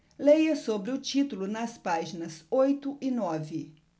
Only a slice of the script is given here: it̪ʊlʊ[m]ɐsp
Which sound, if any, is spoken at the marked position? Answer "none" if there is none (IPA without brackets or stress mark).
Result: n